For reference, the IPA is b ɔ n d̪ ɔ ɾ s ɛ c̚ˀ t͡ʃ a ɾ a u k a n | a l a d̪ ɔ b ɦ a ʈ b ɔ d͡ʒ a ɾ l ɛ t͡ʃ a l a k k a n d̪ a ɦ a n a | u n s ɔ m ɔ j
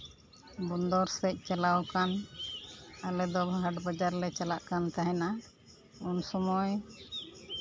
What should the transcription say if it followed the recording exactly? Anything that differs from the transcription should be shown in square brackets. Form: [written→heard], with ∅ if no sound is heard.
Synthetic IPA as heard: b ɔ n d̪ ɔ ɾ s ɛ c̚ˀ t͡ʃ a [ɾ→l] a [u→w] k a n | a l [a→ɛ] d̪ ɔ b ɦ a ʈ b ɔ d͡ʒ a ɾ l ɛ t͡ʃ a l a [k→ʔ] k a n [d̪→t̪] a ɦ [a→ɛ] n a | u n s ɔ m ɔ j

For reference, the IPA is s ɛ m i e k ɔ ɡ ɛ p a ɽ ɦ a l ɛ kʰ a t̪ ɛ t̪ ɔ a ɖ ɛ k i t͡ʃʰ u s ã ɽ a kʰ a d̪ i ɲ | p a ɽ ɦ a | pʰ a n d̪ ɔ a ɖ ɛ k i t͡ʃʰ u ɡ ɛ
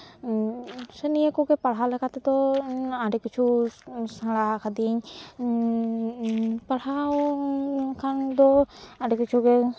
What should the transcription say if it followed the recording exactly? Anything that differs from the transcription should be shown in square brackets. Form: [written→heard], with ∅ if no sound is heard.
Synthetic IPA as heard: s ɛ [m→n] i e k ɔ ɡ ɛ p a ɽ ɦ a l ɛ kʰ a t̪ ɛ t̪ ɔ a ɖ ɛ k i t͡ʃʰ u s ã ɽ a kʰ a d̪ i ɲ | p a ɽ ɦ a | [pʰ→kʰ] a n d̪ ɔ a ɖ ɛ k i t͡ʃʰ u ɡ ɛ

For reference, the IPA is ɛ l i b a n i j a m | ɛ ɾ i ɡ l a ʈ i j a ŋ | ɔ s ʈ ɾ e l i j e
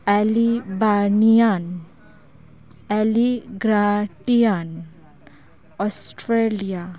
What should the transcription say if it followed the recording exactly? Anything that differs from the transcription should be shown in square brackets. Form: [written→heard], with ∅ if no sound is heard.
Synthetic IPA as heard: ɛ l i b a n i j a [m→n] | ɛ [ɾ→l] i ɡ [l→ɾ] a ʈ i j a [ŋ→n] | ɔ s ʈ ɾ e l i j [e→a]

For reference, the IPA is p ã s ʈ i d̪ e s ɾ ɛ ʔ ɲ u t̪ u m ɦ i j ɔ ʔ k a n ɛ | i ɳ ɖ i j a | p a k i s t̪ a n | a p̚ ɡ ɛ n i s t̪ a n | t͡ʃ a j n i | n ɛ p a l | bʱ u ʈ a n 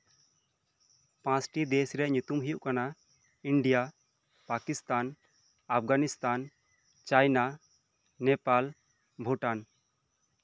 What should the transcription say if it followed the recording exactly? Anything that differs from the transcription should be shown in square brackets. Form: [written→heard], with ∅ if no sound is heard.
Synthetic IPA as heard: p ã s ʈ i d̪ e s ɾ ɛ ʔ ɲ u t̪ u m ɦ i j [ɔ→u] ʔ k a n [ɛ→a] | i ɳ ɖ i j a | p a k i s t̪ a n | a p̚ ɡ [ɛ→a] n i s t̪ a n | t͡ʃ a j n [i→a] | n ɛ p a l | bʱ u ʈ a n

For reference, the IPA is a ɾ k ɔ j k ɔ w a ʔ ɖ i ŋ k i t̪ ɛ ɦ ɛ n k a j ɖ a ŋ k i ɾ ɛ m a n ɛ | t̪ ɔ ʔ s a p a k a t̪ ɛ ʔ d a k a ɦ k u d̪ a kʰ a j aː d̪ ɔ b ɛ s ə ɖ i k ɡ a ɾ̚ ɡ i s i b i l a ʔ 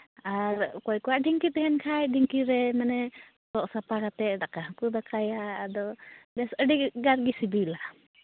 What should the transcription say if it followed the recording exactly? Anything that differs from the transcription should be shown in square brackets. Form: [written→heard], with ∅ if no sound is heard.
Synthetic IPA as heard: a ɾ k ɔ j k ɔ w a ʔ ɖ i ŋ k i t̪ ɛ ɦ ɛ n [k→kʰ] a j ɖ [a→i] ŋ k i ɾ ɛ m a n ɛ | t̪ ɔ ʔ s a p a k a t̪ ɛ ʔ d a k a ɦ k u d̪ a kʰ a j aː d̪ ɔ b ɛ s ə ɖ i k ɡ a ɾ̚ ɡ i s i b i l a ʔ

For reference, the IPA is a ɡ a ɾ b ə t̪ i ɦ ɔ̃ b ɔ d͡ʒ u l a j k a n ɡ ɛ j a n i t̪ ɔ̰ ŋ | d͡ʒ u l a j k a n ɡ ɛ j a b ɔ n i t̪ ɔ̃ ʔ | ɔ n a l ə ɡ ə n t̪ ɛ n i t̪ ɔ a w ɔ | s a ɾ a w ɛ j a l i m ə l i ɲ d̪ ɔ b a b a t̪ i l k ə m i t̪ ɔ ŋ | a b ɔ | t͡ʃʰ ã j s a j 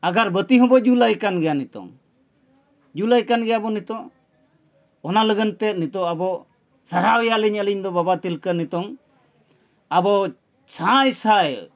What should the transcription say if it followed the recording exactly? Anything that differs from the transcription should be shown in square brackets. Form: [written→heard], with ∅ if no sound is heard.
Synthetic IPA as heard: a ɡ a ɾ b ə t̪ i ɦ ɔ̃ b ɔ d͡ʒ u l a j k a n ɡ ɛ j a n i t̪ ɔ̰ ŋ | d͡ʒ u l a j k a n ɡ ɛ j a b ɔ n i t̪ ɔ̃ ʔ | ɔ n a l ə ɡ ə n t̪ ɛ n i t̪ ɔ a [w→b] ɔ | s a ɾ a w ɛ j a l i [m→ɲ] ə l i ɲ d̪ ɔ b a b a t̪ i l k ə [m→n] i t̪ ɔ ŋ | a b ɔ | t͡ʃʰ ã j s a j

